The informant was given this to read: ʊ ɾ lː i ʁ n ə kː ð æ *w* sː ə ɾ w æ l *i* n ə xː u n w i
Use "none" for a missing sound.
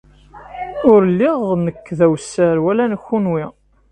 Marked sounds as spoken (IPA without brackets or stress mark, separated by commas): w, æ